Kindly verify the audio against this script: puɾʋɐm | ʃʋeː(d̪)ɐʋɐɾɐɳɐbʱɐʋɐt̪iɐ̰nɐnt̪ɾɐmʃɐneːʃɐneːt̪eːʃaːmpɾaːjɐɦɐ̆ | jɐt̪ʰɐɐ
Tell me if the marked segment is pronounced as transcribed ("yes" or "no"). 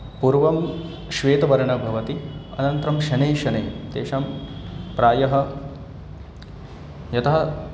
no